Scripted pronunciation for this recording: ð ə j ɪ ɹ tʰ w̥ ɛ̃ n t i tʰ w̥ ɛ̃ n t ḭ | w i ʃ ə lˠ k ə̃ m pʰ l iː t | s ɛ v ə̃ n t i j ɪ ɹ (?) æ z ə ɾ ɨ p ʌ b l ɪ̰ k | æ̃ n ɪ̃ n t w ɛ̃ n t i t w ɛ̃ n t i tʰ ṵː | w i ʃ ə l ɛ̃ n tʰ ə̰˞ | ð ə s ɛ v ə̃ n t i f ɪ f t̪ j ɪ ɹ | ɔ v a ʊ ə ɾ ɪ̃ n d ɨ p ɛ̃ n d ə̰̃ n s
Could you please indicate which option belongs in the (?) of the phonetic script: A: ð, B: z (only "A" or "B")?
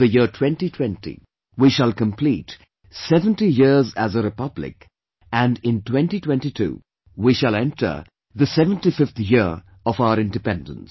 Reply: B